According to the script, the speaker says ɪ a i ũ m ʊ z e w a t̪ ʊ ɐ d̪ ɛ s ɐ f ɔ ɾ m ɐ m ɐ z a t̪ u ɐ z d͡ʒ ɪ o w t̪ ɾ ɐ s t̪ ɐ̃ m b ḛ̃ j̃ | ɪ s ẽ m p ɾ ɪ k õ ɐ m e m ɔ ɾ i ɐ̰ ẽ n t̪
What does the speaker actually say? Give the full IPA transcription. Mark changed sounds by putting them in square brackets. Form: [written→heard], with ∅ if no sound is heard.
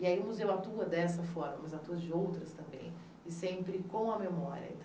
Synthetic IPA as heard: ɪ a i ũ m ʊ z e w a t̪ [ʊ→u] ɐ d̪ ɛ s ɐ f ɔ ɾ m ɐ m ɐ z a t̪ u ɐ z d͡ʒ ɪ o w t̪ ɾ ɐ s t̪ ɐ̃ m b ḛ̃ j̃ | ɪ s ẽ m p ɾ ɪ k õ ɐ m e m ɔ ɾ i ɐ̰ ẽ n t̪